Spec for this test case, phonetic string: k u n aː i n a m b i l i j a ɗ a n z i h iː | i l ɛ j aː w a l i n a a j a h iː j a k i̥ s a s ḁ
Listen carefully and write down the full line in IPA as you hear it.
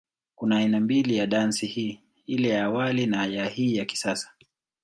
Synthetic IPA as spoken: k u n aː i n a m b i l i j a ɗ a n s i h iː | i l ɛ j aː w a l i n a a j a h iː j a k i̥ s a s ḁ

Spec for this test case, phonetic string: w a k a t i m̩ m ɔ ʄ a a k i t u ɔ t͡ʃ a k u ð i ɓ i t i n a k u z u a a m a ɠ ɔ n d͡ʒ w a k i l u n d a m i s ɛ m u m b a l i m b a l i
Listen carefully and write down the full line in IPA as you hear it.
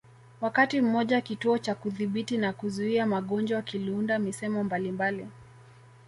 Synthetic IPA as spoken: w a k a t i m̩ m ɔ ʄ a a k i t u ɔ t͡ʃ a k u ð i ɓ i t i n a k u z u i a m a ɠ ɔ n d͡ʒ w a k i l u n d a m i s ɛ m ɔ m b a l i m b a l i

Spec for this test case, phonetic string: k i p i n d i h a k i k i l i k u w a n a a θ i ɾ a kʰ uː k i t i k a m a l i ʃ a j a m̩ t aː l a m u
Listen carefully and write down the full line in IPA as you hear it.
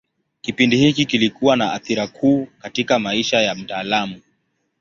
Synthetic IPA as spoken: k i p i n d i h i k i k i l i k u w a n a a θ i ɾ a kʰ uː k a t i k a m a i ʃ a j a m̩ t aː l a m u

